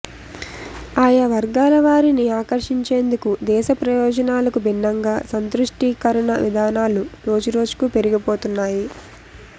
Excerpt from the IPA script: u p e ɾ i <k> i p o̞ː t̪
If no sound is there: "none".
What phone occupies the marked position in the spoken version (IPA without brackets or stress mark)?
ɡ